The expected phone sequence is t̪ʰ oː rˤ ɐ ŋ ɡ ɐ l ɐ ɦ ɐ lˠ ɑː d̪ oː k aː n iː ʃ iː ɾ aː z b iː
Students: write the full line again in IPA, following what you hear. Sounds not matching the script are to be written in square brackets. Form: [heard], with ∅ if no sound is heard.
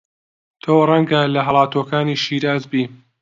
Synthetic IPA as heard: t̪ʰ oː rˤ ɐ ŋ ɡ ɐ l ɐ ɦ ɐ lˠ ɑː [t̪] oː k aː n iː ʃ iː ɾ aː z b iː